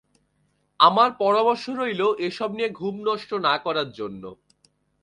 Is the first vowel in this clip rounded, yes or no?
no